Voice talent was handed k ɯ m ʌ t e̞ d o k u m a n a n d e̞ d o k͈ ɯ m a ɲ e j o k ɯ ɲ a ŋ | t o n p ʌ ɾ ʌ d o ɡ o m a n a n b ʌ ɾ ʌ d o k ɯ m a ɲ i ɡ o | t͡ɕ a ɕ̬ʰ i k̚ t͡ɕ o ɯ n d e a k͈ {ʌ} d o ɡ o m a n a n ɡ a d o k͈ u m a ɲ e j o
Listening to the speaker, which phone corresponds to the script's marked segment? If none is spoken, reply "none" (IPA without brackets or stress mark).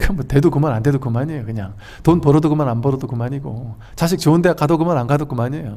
a